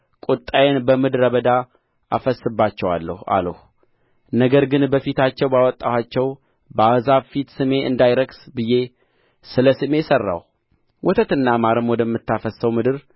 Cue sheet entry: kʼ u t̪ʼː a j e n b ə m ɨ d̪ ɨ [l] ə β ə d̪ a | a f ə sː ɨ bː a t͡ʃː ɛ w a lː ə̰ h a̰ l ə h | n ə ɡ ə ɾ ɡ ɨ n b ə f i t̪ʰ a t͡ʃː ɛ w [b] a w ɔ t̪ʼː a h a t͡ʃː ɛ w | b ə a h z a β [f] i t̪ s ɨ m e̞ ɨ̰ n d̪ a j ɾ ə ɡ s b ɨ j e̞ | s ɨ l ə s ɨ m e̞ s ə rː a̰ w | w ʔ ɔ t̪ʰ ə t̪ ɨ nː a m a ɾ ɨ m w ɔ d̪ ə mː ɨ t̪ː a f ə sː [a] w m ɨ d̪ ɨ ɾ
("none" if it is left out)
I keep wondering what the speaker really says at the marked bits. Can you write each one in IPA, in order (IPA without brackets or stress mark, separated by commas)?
ɾ, b, f, ə